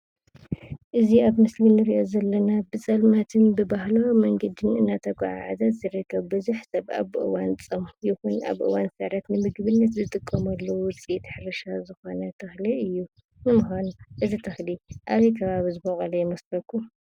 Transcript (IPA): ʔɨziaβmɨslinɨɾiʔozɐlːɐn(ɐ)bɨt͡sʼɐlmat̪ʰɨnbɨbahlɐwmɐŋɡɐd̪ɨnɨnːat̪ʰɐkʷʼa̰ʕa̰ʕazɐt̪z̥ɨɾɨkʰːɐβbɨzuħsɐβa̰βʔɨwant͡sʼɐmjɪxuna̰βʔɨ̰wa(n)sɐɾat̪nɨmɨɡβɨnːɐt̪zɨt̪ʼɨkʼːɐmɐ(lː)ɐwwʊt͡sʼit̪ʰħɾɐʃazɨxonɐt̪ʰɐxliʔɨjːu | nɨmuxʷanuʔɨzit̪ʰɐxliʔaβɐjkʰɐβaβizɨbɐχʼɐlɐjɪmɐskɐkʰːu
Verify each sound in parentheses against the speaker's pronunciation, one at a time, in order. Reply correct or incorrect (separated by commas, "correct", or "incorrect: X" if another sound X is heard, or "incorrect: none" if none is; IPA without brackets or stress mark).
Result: incorrect: a, correct, correct